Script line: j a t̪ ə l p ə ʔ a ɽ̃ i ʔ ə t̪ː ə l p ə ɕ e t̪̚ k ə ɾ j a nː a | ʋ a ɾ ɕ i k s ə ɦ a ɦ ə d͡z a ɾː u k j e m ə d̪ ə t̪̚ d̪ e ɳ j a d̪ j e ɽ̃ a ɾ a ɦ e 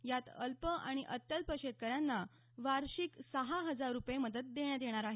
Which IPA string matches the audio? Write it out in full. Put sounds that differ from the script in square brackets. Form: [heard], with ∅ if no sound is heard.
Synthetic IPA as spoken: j a t̪ ə l p ə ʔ a ɽ̃ i ʔ ə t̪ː ə l p ə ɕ e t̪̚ k ə ɾ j a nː a | ʋ a ɾ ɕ i k s ə ɦ a ɦ ə d͡z a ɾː u [p] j e m ə d̪ ə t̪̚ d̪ e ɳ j a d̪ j e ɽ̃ a ɾ a ɦ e

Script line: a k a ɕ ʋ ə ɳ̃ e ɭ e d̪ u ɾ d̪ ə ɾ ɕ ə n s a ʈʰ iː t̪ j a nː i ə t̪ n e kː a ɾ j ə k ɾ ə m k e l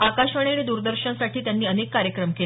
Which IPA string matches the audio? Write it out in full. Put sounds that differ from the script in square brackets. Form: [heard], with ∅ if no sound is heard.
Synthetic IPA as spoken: a k a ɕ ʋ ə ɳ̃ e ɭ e d̪ u ɾ d̪ ə ɾ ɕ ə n s a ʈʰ iː t̪ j a nː [iː] ə [∅] n e kː a ɾ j ə k ɾ ə m k e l

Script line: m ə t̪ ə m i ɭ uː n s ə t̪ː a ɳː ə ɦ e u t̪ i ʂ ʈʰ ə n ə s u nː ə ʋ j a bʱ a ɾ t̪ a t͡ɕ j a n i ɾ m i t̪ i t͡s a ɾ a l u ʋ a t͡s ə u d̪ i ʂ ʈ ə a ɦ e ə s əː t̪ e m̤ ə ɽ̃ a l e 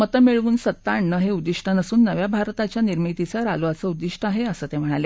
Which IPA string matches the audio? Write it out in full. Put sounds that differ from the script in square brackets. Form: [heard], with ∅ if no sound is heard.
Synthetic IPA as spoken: m ə t̪ ə m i ɭ uː n s ə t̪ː a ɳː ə ɦ e u [d̪] i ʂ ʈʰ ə n ə s [uː] nː ə ʋ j a bʱ a ɾ t̪ a t͡ɕ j a n i ɾ m i t̪ i t͡s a ɾ a l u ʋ a t͡s ə u d̪ i ʂ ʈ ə a ɦ e ə s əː t̪ e m̤ ə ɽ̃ a l e

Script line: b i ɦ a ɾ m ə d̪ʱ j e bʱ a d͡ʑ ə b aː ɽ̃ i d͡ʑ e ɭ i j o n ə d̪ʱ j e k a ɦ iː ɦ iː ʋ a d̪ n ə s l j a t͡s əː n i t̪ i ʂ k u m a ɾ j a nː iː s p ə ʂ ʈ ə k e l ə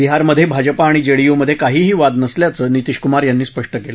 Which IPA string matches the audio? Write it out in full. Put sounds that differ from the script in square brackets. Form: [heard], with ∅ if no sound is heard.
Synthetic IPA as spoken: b i ɦ a ɾ m ə d̪ʱ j e bʱ a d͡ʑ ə [p] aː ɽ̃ i d͡ʑ e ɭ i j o [m] ə d̪ʱ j e k a ɦ iː ɦ iː ʋ a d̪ n ə s l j a t͡s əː n i t̪ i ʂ k u m a ɾ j a nː iː s p ə ʂ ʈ ə k e l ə

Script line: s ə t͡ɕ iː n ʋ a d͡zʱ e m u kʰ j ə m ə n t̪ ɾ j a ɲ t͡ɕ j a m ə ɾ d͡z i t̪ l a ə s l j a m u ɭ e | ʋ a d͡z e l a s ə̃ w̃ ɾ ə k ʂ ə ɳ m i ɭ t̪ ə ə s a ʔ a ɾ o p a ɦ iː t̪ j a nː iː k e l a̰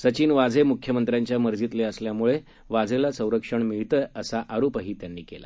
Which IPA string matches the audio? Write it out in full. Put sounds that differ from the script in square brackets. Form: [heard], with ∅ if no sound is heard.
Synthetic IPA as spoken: s ə t͡ɕ iː n ʋ a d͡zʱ e m u kʰ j ə m ə n t̪ ɾ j a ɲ t͡ɕ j a m ə ɾ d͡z i t̪ l [e] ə s l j a m u ɭ e | ʋ a d͡z e l a s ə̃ w̃ ɾ ə k ʂ ə ɳ m i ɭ t̪ ə ə s a ʔ a ɾ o p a ɦ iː t̪ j a nː iː k e l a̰

